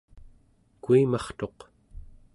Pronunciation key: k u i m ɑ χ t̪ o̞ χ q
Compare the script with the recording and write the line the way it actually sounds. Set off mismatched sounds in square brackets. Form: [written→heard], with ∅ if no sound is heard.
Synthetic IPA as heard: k u i m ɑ χ t̪ o̞ [χ→∅] q

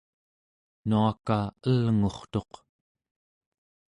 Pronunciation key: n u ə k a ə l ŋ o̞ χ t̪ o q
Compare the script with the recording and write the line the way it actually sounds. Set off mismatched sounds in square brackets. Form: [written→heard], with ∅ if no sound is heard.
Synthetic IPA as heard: n u [ə→a] k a ə l ŋ o̞ χ t̪ o q

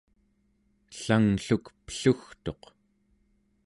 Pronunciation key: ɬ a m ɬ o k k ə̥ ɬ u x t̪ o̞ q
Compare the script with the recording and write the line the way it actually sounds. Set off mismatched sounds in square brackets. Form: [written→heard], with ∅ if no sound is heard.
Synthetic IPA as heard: ɬ a [m→ŋ] ɬ [o→u] k [k→p] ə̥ ɬ u x t̪ o̞ q

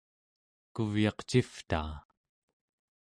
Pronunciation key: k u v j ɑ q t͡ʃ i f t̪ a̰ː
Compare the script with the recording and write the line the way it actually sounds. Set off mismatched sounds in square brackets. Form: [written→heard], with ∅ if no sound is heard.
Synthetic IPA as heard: k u v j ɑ q t͡ʃ i f t̪ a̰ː

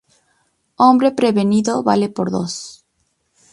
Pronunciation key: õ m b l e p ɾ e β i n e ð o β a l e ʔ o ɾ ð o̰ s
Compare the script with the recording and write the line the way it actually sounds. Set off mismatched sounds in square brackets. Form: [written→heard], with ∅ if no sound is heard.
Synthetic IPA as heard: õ m b [l→ɾ] e p ɾ e β [i→e] n [e→i] ð o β a l e [ʔ→p] o ɾ ð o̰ s

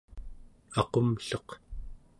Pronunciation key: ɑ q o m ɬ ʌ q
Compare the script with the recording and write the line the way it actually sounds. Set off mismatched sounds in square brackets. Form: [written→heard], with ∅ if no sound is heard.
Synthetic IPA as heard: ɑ q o m ɬ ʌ q

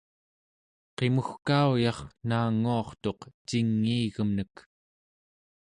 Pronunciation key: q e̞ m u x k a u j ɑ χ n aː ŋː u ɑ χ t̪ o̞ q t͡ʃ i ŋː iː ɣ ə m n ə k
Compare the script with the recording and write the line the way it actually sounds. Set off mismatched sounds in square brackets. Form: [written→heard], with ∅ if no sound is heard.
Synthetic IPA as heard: q e̞ m u x k a u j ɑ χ n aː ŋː u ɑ χ t̪ o̞ q t͡ʃ i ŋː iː ɣ ə m n ə k

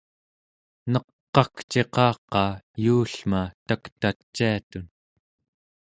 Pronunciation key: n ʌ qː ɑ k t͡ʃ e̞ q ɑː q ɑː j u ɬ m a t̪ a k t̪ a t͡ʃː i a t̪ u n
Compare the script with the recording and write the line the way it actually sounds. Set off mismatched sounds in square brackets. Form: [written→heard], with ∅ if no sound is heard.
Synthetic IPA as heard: n ʌ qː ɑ k t͡ʃ e̞ q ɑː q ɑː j [u→uː] ɬ m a t̪ a k t̪ a t͡ʃː i a t̪ u n

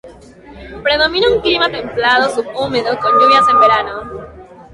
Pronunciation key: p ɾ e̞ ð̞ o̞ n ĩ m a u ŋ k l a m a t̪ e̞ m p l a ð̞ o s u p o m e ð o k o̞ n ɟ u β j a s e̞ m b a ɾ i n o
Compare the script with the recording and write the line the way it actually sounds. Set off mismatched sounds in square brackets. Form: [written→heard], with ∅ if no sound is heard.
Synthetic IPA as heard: p ɾ e̞ ð̞ o̞ [n→m] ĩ [m→n] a u ŋ k l [a→i] m a t̪ e̞ m p l a ð̞ o s u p [o→u] m e ð o k o̞ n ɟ u β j a s e̞ m b [a→e] ɾ [i→a] n o

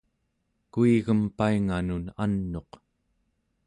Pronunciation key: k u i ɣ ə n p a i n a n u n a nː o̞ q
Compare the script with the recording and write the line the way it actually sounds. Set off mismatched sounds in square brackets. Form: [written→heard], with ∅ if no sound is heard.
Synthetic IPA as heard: k u i ɣ ə [n→m] p a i [n→ŋ] a n u n a nː o̞ q

